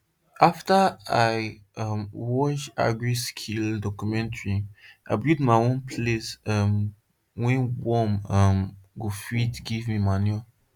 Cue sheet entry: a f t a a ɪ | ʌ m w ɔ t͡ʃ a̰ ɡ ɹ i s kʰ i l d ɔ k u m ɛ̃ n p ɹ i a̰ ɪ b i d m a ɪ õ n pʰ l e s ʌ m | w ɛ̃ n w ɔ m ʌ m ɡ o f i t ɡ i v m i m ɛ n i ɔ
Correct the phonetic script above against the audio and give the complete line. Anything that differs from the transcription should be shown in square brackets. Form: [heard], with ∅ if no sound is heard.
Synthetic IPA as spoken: a f t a a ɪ | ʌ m w ɔ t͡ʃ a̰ ɡ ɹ i s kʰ i l d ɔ k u m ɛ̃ n [t] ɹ i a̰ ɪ b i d m a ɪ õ n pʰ l e s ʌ m | w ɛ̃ n w ɔ m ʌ m ɡ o f i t ɡ i v m i m [a] n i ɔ